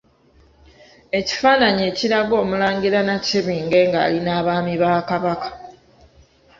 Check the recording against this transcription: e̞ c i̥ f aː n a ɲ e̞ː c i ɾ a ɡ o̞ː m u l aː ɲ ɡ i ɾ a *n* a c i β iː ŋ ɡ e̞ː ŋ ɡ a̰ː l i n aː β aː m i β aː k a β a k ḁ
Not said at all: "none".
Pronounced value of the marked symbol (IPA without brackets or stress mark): n